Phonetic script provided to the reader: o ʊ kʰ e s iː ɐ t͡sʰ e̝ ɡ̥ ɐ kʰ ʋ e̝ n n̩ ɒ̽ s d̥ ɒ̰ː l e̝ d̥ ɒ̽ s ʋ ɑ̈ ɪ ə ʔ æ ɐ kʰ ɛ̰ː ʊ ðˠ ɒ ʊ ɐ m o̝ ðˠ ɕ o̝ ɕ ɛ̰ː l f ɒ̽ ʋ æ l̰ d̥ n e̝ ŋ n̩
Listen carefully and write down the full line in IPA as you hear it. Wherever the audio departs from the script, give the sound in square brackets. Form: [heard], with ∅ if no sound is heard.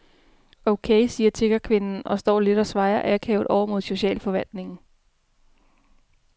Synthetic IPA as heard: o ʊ kʰ e s iː ɐ t͡sʰ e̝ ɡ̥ ɐ kʰ ʋ e̝ n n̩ ɒ̽ s d̥ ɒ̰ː l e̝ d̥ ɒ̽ s ʋ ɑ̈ ɪ [ɐ] ʔ æ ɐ kʰ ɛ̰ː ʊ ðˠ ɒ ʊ ɐ m o̝ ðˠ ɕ o̝ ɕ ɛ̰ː l f ɒ̽ ʋ æ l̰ d̥ n e̝ ŋ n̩

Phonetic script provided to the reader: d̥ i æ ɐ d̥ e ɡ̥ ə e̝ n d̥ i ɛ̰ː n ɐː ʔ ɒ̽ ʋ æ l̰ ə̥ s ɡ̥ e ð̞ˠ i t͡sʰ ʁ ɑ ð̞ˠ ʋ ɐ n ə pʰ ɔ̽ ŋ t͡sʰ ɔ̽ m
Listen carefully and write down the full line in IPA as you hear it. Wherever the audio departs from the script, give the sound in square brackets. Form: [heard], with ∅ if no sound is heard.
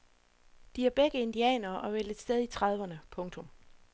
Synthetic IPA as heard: d̥ i æ ɐ [b̥] e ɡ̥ ə e̝ n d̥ i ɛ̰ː n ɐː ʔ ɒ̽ ʋ [e] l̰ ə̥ s [d̥] e ð̞ˠ i t͡sʰ ʁ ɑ ð̞ˠ ʋ ɐ n ə pʰ ɔ̽ ŋ t͡sʰ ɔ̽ m

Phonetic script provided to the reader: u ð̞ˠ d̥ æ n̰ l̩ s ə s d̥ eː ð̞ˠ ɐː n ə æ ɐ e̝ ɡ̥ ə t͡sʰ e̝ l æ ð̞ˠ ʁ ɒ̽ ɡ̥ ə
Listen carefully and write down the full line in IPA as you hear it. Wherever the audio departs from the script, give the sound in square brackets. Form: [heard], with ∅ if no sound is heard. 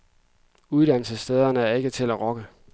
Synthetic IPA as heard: u ð̞ˠ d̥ æ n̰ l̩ s ə s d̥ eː ð̞ˠ [ɐ] n ə æ ɐ e̝ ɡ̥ ə t͡sʰ e̝ l æ [∅] ʁ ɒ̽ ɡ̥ ə

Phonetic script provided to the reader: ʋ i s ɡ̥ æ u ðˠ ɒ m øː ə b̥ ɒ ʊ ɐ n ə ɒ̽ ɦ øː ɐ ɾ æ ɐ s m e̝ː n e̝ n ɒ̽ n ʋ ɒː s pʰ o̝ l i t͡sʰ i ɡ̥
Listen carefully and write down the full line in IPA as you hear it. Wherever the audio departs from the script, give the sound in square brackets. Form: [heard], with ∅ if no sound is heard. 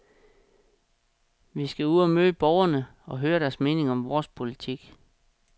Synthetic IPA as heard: ʋ i s ɡ̥ æ u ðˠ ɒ m øː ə b̥ ɒ ʊ ɐ n ə ɒ̽ ɦ øː ɐ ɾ æ ɐ s m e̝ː n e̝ [ŋ] ɒ̽ [m] ʋ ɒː s pʰ o̝ l i t͡sʰ i ɡ̥

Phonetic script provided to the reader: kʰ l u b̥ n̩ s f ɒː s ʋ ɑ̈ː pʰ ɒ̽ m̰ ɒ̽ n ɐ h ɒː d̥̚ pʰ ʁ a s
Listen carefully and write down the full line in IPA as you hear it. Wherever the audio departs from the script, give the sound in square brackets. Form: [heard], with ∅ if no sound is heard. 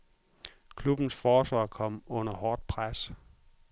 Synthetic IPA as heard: kʰ l u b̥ n̩ s f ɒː s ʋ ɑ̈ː [kʰ] ɒ̽ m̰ [ɔ̽] n ɐ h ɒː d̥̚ pʰ ʁ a s

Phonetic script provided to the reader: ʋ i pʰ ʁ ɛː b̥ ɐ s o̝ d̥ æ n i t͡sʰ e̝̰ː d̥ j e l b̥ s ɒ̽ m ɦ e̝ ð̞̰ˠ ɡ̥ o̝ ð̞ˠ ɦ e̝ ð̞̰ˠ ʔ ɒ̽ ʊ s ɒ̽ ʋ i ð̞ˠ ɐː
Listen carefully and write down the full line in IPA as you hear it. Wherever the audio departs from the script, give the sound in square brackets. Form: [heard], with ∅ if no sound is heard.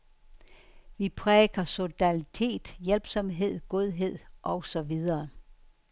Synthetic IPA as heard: ʋ i pʰ ʁ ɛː [ɡ̥] ɐ s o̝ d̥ æ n i t͡sʰ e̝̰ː d̥ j e l b̥ s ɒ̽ m ɦ e̝ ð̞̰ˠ ɡ̥ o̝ ð̞ˠ ɦ e̝ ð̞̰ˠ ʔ ɒ̽ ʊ s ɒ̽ ʋ i ð̞ˠ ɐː

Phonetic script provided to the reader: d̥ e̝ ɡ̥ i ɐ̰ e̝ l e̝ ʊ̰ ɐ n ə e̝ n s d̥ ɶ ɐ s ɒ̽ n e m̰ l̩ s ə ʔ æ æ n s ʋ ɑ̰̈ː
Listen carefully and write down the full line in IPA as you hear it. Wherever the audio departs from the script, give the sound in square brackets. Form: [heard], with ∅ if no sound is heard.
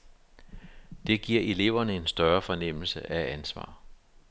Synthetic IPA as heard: d̥ e̝ ɡ̥ i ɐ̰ e̝ l e̝ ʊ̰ ɐ n ə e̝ n s d̥ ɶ ɐ [f] ɒ̽ n e m̰ l̩ s ə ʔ æ æ n s ʋ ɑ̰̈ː

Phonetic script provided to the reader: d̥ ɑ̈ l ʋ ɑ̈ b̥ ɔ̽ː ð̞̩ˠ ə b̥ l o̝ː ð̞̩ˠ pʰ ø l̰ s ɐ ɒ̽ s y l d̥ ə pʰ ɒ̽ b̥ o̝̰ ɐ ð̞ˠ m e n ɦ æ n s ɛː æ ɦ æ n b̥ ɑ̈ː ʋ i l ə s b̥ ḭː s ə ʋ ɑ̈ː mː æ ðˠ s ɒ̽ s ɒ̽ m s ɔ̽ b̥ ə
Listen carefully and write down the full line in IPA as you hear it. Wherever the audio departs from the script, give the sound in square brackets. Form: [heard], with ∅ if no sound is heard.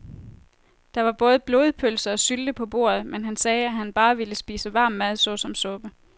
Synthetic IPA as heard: d̥ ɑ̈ [∅] ʋ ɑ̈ b̥ ɔ̽ː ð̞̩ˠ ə b̥ l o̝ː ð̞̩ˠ pʰ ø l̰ s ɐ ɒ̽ s y l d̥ ə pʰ ɒ̽ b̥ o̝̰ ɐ ð̞ˠ m e n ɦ æ n s ɛː æ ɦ æ n b̥ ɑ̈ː ʋ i l ə s b̥ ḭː s ə ʋ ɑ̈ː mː æ ðˠ s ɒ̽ s ɒ̽ m s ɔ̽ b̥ ə

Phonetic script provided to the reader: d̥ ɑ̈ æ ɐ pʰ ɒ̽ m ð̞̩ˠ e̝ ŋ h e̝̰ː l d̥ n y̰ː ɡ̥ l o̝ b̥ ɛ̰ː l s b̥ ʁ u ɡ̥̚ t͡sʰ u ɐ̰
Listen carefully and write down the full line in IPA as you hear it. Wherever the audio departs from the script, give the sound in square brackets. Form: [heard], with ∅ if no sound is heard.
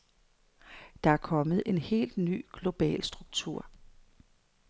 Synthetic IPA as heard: d̥ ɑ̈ æ ɐ [kʰ] ɒ̽ m ð̞̩ˠ e̝ [n] h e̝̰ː l d̥ n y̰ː ɡ̥ l o̝ b̥ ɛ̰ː l s [d̥] ʁ u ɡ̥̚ t͡sʰ u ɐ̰

